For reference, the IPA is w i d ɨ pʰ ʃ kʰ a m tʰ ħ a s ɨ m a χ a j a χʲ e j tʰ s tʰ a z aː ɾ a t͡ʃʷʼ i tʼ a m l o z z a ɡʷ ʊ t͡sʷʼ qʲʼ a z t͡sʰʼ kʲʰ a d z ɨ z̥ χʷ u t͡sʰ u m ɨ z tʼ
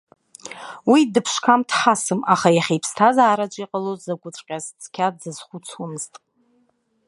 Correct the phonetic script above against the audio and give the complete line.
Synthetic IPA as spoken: w i d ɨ pʰ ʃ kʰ a m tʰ ħ a s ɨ m a χ a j a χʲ e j pʰ s tʰ a z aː ɾ a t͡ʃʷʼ i qʼ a l o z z a ɡʷ ʊ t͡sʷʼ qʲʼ a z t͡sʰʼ kʲʰ a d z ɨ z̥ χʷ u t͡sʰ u m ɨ z tʼ